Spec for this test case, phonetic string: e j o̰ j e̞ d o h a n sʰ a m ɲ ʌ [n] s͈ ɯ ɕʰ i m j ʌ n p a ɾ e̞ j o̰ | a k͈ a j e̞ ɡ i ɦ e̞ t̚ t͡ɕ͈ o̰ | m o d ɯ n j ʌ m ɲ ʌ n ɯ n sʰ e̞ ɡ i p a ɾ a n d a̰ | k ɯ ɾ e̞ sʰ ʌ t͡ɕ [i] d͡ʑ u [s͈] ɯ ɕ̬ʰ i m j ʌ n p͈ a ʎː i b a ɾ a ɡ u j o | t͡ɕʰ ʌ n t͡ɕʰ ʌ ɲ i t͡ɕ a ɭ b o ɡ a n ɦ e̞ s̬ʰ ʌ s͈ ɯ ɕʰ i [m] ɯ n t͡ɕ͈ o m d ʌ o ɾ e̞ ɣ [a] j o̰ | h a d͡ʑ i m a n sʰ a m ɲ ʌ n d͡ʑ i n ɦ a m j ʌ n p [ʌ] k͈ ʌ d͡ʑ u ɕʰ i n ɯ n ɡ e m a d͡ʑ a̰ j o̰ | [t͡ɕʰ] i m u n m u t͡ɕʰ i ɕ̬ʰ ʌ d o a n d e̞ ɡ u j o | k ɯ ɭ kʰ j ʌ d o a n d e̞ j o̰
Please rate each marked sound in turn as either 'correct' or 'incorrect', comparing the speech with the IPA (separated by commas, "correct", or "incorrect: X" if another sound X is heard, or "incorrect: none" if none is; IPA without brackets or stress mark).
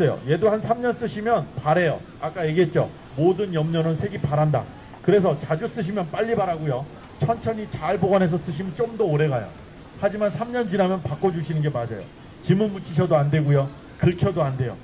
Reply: correct, incorrect: a, correct, correct, correct, incorrect: a, incorrect: t͡ɕ